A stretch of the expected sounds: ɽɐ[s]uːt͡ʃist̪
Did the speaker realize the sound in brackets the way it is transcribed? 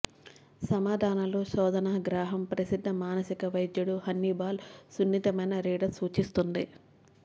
yes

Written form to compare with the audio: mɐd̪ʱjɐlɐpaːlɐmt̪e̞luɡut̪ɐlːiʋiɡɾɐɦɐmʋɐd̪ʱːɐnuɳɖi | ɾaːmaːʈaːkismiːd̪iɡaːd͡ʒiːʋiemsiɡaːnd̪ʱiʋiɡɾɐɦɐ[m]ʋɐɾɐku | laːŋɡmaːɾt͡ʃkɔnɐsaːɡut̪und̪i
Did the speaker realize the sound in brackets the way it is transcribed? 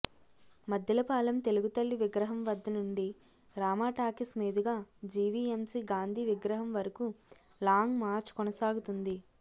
yes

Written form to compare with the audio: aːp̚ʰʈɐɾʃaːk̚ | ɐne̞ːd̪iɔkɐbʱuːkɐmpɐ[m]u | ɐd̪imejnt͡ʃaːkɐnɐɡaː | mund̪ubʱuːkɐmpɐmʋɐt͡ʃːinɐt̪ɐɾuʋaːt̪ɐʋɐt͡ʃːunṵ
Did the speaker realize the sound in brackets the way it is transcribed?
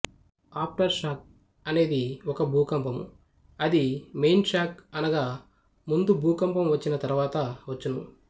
yes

